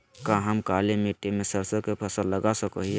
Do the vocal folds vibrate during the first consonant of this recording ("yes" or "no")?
no